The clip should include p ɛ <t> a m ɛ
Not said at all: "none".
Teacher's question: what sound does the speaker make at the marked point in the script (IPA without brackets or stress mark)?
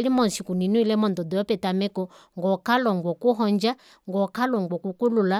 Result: t